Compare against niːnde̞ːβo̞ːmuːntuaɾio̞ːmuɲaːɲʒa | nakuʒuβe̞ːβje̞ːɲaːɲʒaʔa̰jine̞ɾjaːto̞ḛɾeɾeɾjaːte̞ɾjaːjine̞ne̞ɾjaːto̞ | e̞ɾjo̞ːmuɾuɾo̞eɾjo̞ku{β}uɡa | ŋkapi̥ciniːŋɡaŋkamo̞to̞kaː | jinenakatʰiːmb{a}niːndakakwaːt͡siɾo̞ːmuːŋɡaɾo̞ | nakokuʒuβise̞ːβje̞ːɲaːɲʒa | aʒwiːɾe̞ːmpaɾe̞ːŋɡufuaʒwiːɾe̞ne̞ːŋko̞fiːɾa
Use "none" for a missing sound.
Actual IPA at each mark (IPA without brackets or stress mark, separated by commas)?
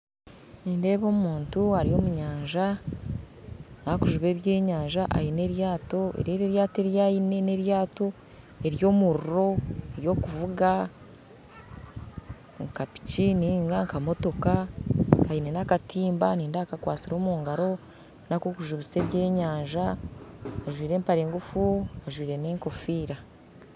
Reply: v, a